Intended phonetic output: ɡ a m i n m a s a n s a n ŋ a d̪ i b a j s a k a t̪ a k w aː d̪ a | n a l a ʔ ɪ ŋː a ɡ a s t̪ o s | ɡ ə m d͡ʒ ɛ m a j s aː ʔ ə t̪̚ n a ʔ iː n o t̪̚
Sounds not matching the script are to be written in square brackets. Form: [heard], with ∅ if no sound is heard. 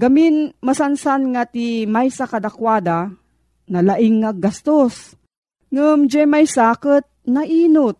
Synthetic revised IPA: ɡ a m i n m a s a n s a n ŋ a [t̪] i [m] a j s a k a [d̪] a k w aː d̪ a | n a l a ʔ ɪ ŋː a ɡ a s t̪ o s | [ŋ] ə m d͡ʒ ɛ m a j s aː [k] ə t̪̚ n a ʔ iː n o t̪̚